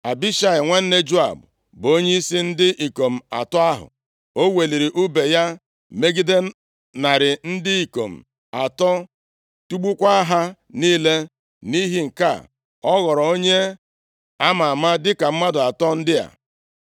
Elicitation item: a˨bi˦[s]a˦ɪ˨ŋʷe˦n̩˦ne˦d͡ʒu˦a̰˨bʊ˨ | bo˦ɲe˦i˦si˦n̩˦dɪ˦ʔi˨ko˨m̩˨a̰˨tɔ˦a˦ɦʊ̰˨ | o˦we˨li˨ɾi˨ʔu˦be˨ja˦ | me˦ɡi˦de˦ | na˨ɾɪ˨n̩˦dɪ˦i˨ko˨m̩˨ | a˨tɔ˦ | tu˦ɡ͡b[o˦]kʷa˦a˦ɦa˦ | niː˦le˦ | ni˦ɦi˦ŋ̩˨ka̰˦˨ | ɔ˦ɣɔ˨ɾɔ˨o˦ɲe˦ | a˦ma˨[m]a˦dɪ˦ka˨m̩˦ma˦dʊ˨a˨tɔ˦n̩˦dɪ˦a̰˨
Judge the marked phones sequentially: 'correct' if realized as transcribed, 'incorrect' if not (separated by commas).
incorrect, incorrect, correct